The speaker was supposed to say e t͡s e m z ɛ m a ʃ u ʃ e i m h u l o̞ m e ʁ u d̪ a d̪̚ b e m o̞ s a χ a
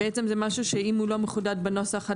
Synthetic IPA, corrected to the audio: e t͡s e m z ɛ m a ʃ u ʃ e i m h u l o̞ m e χ u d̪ a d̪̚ b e n o̞ s a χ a